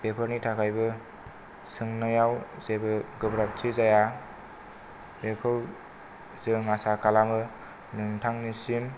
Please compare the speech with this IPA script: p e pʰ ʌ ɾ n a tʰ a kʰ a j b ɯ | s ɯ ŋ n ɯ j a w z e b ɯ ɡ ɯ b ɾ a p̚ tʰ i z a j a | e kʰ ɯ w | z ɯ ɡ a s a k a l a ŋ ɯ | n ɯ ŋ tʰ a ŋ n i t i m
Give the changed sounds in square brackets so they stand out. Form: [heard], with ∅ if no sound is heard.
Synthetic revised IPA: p e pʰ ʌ ɾ n [i] tʰ a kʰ a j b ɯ | s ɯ ŋ n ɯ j a w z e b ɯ ɡ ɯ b ɾ a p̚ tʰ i z a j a | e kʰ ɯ w | z ɯ [ŋ] a s a k a l a [m] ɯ | n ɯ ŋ tʰ a ŋ n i [s] i m